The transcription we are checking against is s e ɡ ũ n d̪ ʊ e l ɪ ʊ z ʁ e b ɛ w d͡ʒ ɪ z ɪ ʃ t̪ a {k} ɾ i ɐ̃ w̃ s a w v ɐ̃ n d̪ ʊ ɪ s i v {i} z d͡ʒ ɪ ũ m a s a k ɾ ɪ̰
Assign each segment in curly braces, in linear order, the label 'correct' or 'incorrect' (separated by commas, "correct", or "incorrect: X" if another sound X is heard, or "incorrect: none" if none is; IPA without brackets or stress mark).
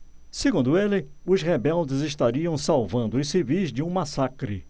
incorrect: none, correct